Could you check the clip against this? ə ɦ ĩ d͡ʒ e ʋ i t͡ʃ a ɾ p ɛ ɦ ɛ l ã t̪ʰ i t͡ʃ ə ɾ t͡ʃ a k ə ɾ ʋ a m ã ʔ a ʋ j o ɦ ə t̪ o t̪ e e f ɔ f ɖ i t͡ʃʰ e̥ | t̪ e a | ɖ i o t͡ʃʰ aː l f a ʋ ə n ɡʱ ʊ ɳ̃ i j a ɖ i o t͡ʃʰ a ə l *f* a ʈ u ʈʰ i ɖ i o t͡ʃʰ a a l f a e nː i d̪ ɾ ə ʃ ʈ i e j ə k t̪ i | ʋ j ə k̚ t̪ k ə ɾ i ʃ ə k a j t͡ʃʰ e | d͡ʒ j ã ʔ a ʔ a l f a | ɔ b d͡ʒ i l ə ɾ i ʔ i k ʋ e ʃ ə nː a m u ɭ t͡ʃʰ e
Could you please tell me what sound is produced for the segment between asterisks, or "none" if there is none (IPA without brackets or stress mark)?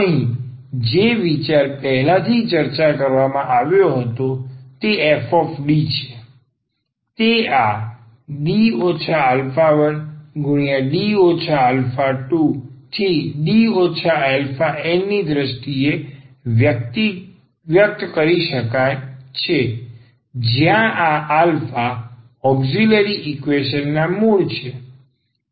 f